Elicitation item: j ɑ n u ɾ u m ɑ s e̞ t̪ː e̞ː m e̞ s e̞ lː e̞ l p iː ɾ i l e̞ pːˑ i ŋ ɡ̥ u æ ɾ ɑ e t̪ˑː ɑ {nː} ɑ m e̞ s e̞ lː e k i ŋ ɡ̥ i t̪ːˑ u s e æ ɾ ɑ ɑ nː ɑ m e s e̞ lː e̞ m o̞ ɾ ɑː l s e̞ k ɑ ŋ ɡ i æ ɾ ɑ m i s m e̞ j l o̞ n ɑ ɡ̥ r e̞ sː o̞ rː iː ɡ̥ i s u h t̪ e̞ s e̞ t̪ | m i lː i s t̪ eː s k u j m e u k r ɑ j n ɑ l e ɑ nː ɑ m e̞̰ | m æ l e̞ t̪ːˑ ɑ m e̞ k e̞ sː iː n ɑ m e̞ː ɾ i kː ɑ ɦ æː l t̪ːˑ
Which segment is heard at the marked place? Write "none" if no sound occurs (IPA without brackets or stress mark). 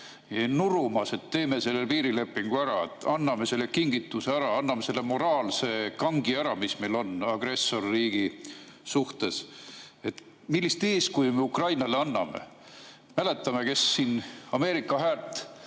nː